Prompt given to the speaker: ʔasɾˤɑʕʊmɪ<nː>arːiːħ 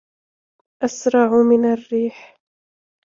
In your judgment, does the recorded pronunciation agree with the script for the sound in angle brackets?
no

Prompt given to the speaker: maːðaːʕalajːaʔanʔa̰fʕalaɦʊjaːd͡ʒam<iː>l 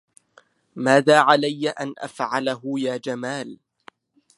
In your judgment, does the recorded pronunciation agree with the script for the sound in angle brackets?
no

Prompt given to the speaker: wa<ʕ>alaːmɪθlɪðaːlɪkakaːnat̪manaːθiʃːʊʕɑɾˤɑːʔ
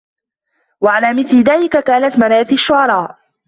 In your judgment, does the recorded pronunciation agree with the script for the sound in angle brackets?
yes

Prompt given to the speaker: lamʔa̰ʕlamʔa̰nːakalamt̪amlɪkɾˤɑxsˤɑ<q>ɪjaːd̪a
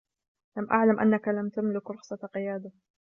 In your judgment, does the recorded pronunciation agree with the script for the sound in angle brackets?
yes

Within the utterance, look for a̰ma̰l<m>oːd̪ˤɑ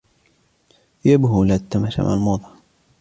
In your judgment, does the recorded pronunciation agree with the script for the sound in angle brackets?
yes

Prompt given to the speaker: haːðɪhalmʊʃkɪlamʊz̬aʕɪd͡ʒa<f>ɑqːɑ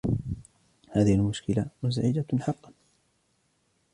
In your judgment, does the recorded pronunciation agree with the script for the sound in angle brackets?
no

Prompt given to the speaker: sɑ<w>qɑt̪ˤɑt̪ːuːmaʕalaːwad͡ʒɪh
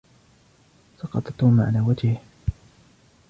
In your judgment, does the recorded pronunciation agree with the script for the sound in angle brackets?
no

